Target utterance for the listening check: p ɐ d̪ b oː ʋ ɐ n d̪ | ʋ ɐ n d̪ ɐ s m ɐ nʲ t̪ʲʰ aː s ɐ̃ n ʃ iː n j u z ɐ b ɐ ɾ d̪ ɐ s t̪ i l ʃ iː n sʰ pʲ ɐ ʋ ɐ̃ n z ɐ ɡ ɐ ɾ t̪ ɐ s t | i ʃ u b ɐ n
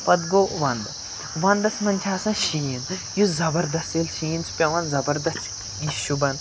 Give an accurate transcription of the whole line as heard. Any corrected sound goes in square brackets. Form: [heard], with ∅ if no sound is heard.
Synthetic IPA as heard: p ɐ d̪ [ɡ] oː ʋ ɐ n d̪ | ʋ ɐ n d̪ ɐ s m ɐ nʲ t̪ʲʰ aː s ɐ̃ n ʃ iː n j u z ɐ b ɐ ɾ d̪ ɐ s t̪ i l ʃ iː n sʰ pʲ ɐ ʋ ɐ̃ n z ɐ [b] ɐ ɾ [d̪] ɐ s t | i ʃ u b ɐ n